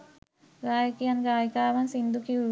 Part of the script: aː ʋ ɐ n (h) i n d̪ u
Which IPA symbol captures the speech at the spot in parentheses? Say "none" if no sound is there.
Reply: s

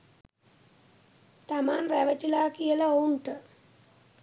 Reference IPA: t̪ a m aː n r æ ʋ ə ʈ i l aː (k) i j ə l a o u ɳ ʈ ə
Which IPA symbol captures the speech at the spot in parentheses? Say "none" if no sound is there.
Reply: k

